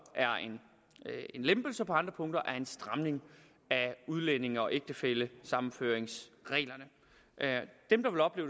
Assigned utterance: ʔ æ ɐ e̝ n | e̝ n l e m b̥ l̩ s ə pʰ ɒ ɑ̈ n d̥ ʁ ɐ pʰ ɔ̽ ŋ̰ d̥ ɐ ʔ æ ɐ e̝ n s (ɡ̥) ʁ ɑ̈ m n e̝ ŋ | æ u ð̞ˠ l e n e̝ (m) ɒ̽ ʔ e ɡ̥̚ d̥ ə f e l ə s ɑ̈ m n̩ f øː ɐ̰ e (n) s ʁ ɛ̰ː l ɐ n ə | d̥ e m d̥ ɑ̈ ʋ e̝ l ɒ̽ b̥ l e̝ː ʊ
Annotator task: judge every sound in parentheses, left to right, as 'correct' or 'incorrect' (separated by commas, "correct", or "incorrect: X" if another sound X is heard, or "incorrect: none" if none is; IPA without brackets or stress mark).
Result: incorrect: d̥, incorrect: ŋ, incorrect: ŋ